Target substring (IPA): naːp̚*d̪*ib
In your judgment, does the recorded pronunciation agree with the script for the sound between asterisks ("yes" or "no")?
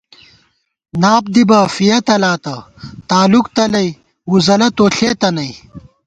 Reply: yes